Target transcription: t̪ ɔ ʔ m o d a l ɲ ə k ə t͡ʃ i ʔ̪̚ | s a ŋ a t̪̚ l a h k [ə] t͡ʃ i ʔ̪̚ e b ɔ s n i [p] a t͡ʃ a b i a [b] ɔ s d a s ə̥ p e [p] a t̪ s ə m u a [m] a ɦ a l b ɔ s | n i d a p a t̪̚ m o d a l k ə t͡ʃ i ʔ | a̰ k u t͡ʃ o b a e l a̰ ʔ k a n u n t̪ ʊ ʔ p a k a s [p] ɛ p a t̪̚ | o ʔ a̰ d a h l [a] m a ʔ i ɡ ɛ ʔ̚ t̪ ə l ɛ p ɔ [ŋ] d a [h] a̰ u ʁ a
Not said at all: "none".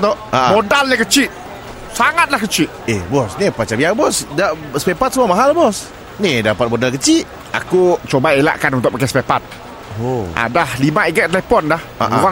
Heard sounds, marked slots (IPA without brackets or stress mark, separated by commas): ə, p, b, p, m, p, i, n, h